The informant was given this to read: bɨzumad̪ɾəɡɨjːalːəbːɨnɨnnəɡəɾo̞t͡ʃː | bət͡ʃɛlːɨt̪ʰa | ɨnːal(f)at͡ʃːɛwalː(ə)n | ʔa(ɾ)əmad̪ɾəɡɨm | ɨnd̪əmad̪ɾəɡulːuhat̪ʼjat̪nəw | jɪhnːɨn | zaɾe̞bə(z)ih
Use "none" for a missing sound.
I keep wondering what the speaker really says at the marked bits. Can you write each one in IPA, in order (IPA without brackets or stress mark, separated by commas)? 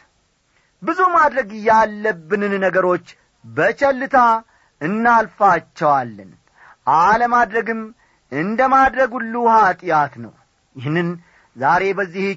f, ə, l, zː